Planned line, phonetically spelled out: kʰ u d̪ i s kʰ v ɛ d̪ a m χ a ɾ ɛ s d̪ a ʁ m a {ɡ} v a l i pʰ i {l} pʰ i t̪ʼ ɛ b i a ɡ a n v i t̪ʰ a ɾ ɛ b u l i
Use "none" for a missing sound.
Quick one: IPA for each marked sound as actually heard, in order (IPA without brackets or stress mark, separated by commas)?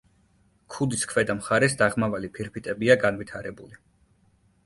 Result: none, ɾ